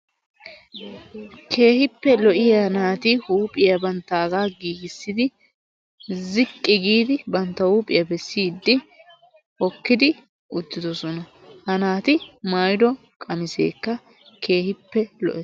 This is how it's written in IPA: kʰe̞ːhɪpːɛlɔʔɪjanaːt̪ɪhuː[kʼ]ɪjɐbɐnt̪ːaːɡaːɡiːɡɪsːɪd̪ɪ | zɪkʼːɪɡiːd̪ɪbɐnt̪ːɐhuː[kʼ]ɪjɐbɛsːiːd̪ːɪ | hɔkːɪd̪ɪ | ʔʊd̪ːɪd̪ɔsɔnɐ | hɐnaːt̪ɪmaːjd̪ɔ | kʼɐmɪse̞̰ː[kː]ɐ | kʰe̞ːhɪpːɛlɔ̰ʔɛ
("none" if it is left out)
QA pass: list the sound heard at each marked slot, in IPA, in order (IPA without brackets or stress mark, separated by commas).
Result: pʼ, pʼ, kː